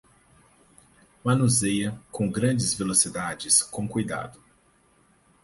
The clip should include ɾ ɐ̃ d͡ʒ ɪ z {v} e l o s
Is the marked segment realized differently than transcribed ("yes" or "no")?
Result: no